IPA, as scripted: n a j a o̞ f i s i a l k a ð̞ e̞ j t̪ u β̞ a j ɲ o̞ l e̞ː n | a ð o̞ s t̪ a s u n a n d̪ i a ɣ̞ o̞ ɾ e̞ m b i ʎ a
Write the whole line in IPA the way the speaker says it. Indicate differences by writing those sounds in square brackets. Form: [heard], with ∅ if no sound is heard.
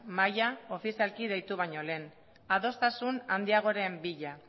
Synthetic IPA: [m] a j a o̞ f i s i a l k [i] ð̞ e̞ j t̪ u β̞ a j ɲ o̞ l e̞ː n | a ð o̞ s t̪ a s u n a n d̪ i a ɣ̞ o̞ ɾ e̞ m b i ʎ a